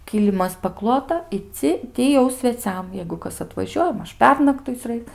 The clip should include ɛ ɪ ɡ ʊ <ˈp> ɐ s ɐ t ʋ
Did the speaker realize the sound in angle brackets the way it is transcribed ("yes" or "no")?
no